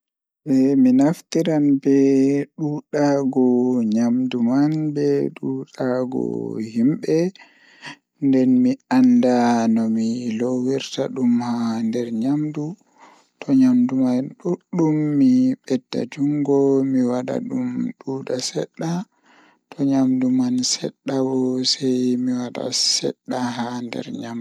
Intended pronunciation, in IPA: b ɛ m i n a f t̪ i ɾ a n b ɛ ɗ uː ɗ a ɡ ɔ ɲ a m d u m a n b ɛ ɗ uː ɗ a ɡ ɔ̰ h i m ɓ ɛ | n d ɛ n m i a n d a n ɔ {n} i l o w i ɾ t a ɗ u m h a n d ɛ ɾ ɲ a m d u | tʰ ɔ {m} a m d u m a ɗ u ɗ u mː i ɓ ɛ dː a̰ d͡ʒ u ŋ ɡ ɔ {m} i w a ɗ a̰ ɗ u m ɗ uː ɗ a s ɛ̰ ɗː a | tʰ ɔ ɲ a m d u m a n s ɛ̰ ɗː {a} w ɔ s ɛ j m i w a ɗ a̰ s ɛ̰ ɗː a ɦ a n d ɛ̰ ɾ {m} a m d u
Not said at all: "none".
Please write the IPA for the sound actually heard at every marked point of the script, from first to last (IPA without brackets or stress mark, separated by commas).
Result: m, ɲ, m, a, ɲ